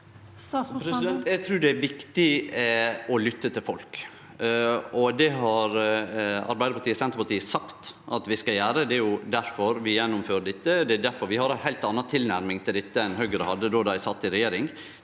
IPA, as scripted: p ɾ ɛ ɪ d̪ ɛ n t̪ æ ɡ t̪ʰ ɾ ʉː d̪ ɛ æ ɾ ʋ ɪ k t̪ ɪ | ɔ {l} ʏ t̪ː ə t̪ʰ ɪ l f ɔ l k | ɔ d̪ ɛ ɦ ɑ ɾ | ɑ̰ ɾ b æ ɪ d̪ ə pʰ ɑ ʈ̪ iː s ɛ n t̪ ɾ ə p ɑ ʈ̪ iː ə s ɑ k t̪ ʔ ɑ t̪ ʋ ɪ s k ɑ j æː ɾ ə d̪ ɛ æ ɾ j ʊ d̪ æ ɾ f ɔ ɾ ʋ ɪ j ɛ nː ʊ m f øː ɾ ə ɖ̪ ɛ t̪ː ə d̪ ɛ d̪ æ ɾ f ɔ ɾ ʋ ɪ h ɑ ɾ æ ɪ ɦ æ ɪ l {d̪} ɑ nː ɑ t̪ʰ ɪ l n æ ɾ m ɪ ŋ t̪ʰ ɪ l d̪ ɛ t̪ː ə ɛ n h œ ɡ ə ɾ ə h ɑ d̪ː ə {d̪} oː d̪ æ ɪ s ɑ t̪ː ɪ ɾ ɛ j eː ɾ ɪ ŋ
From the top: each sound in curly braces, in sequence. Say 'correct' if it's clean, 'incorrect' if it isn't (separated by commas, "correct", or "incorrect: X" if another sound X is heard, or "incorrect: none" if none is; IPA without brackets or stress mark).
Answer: correct, incorrect: t̪, correct